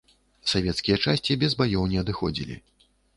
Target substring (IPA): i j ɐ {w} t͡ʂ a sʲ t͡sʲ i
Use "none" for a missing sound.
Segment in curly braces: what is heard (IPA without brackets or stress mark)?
none